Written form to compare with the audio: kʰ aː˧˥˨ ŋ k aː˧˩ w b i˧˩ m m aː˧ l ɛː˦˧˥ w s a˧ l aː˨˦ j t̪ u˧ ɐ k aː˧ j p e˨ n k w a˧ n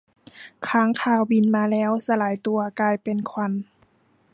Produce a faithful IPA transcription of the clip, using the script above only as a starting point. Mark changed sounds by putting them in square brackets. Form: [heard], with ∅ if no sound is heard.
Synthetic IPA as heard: kʰ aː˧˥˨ ŋ [kʰ] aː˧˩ w b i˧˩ [n] m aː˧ l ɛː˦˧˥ w s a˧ l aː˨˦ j t̪ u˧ ɐ k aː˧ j p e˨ n [kʰ] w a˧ n